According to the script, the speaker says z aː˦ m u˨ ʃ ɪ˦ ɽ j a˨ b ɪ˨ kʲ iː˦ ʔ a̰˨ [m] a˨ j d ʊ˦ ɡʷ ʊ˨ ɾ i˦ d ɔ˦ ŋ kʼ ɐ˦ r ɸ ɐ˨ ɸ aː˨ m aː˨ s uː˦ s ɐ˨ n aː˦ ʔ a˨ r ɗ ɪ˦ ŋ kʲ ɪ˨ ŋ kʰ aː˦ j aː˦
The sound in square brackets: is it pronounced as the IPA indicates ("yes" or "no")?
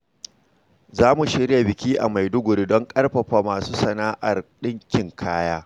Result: yes